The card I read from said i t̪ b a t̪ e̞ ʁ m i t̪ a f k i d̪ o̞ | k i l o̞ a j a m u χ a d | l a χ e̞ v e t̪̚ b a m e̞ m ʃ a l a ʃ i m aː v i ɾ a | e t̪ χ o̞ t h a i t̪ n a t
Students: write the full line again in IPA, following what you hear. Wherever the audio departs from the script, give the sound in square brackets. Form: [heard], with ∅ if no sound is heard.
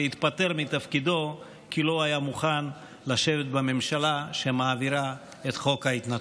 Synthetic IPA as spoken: i t̪ [p] a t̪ e̞ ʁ m i t̪ a f k i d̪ o̞ | k i l o̞ a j a m u χ a [n] | l a [ʃ] e̞ v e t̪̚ b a m e̞ m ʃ a l a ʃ [e] m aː v i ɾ a | e t̪ χ o̞ [k] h a i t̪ n a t